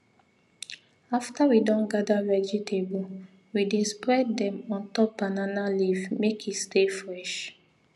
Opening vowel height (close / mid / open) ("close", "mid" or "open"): open